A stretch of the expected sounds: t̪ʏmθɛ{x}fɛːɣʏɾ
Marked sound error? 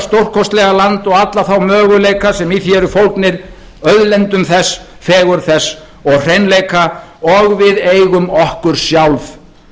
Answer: yes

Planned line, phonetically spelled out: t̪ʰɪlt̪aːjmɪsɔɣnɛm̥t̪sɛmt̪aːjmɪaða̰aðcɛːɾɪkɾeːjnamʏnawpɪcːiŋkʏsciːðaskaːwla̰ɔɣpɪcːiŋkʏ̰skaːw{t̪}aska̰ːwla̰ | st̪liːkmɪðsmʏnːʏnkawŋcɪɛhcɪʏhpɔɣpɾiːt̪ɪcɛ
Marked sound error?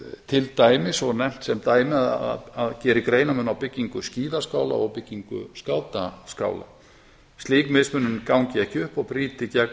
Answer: no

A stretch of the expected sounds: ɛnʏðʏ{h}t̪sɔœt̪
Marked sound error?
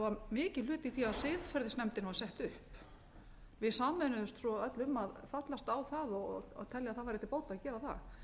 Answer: yes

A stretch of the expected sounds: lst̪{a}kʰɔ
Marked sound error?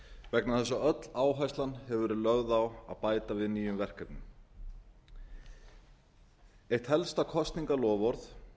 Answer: no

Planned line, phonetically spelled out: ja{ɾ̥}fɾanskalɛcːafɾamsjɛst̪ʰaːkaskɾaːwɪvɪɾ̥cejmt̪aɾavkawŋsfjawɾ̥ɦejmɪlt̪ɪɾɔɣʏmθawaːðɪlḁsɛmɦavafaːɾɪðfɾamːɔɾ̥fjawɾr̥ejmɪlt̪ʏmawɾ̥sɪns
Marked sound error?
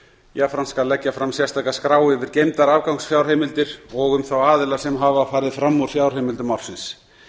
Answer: yes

